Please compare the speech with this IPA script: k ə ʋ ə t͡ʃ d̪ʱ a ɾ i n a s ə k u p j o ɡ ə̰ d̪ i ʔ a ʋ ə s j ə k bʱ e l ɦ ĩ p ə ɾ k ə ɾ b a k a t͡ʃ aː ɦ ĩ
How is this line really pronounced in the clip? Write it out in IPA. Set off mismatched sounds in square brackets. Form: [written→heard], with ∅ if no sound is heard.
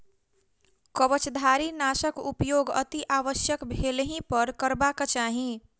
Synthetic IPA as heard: k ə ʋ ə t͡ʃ d̪ʱ a ɾ i n a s ə k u p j o ɡ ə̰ [d̪→t̪] i ʔ a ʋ ə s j ə k bʱ e l ɦ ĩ p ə ɾ k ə ɾ b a k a t͡ʃ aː ɦ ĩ